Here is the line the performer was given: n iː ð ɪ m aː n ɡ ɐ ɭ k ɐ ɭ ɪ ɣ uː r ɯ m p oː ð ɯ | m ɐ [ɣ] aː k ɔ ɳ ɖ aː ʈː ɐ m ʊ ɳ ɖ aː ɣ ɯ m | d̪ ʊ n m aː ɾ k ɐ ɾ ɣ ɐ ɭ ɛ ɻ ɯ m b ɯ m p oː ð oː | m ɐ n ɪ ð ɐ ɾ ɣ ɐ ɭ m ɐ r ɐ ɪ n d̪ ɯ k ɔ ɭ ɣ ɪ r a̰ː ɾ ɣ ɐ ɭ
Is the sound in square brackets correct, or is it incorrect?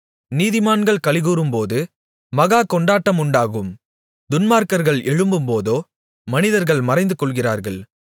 correct